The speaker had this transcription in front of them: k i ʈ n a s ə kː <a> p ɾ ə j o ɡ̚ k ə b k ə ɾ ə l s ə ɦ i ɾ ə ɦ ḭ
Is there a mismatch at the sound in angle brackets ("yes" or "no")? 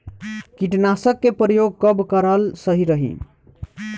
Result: yes